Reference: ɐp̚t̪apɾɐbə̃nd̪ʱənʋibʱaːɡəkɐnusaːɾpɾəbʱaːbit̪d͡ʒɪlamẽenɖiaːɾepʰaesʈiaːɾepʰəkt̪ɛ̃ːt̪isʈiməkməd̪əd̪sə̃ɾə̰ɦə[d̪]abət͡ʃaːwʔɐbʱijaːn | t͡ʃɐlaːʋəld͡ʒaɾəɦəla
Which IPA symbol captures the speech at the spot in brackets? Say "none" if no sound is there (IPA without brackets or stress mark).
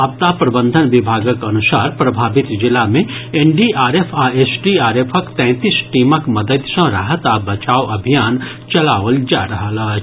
t̪